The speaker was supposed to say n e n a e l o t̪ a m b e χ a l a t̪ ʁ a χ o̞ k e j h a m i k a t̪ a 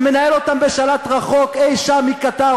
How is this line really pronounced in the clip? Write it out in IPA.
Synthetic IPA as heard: m e n a e l o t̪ a m b e ʃ a l a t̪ ʁ a χ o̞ k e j ʃ a m i k a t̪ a